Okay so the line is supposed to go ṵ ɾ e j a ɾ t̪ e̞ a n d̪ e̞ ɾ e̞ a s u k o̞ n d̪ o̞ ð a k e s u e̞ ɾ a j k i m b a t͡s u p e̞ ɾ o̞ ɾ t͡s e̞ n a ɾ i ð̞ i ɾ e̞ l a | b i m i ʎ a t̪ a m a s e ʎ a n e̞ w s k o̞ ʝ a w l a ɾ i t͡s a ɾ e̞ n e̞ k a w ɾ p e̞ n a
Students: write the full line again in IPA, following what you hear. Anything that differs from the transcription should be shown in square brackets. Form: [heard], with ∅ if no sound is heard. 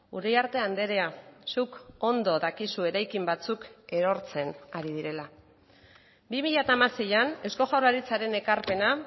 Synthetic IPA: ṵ ɾ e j a ɾ t̪ e̞ a n d̪ e̞ ɾ e̞ a s u k o̞ n d̪ o̞ ð a k [i] s u e̞ ɾ a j k i m b a t͡s u [k] e̞ ɾ o̞ ɾ t͡s e̞ n a ɾ i ð̞ i ɾ e̞ l a | b i m i ʎ a t̪ a m a s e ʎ a n e̞ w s k o̞ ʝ a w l a ɾ i t͡s a ɾ e̞ n e̞ k a [∅] ɾ p e̞ n a